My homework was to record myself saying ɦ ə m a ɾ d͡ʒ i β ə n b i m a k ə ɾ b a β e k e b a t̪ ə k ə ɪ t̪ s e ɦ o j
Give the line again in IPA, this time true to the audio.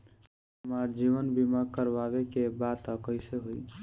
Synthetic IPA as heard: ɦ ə m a ɾ d͡ʒ i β ə n b i m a k ə ɾ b a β e k e b a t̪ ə k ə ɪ s e ɦ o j